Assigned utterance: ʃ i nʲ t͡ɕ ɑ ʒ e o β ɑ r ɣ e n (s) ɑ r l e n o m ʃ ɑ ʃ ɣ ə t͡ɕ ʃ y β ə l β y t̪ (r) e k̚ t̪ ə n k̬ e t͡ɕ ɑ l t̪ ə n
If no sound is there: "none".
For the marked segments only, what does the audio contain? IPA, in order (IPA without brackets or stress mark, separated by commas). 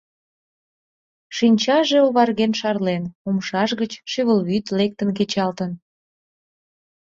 ʃ, l